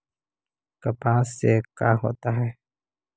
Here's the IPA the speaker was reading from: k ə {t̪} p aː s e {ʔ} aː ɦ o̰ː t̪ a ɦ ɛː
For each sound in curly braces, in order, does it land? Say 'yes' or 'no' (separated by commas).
no, no